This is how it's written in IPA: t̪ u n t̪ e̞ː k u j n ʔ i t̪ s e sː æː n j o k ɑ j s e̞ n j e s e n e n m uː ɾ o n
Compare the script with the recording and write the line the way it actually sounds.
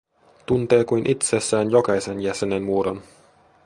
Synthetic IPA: t̪ u n t̪ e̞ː k u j n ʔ i t̪ s e sː æː n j o k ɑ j s e̞ n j æ s e n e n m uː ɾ o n